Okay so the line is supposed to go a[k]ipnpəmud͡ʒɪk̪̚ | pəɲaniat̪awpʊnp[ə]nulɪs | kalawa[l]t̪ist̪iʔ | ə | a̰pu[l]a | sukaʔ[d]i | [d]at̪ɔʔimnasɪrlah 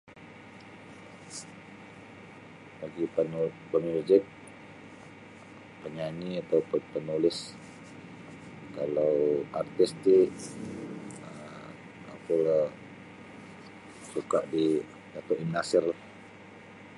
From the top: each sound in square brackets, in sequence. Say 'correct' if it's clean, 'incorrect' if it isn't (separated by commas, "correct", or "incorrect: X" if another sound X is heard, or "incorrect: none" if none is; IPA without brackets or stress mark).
incorrect: ɡ, correct, incorrect: r, correct, correct, correct